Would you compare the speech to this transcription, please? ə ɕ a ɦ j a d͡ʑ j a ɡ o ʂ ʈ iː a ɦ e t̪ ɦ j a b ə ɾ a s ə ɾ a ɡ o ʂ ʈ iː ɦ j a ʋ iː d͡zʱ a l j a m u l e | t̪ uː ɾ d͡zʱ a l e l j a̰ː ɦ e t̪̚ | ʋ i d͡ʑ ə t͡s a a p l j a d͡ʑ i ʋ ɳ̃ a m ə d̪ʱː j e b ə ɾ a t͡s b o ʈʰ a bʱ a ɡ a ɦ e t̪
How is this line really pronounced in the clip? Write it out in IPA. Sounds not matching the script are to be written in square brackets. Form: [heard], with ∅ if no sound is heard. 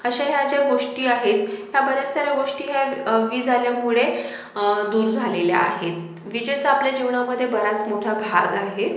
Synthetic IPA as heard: ə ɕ a ɦ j a d͡ʑ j a ɡ o ʂ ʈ iː a ɦ e t̪ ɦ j a b ə ɾ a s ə ɾ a ɡ o ʂ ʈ iː ɦ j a ʋ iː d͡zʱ a l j a m u [ɭ] e | [d̪] uː ɾ d͡zʱ a l e l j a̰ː ɦ e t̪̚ | ʋ i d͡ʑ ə t͡s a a p l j a d͡ʑ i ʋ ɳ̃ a m ə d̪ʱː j e b ə ɾ a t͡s [m] o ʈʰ a bʱ a ɡ a ɦ e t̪